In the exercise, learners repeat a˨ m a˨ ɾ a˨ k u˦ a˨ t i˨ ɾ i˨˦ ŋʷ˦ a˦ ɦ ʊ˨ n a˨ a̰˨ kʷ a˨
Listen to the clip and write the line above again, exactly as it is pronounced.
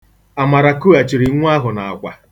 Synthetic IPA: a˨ m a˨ ɾ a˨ k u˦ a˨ t͡ʃ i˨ ɾ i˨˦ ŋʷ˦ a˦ ɦ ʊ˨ n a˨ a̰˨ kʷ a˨